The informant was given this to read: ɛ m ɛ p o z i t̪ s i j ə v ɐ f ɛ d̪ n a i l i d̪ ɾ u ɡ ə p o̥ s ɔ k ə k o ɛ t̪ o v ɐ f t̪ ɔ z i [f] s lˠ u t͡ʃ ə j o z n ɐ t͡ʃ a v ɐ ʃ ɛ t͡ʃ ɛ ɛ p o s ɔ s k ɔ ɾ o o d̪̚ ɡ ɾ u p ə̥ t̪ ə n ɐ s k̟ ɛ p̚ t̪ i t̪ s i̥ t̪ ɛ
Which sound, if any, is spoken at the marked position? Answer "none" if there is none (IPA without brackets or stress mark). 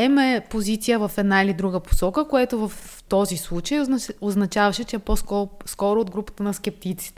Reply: none